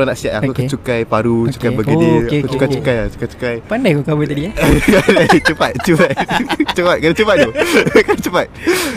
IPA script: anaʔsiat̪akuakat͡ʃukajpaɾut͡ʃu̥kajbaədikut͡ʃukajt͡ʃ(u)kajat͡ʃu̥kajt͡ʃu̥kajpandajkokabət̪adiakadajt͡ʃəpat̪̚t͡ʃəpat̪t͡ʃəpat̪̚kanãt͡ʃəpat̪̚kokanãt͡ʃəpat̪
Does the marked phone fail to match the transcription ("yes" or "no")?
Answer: no